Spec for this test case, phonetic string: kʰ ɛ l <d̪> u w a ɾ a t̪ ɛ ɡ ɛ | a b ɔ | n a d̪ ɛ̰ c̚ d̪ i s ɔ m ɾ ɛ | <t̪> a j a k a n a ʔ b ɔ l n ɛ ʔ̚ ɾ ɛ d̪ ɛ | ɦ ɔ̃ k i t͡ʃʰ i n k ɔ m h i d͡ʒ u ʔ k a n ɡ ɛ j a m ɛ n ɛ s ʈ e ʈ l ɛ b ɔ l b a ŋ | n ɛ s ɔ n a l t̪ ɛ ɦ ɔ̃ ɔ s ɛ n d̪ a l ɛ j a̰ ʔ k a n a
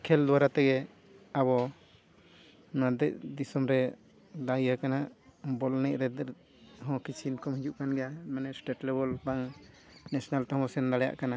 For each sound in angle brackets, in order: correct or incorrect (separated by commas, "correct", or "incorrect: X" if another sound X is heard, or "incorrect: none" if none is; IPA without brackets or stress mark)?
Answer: correct, incorrect: d̪